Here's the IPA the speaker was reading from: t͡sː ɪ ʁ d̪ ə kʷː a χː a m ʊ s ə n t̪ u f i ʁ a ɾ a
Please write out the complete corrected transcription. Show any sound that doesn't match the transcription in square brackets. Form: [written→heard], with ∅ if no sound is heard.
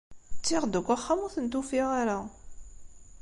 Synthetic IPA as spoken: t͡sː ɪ ʁ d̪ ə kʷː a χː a m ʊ [s→θ] ə n t̪ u f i ʁ a ɾ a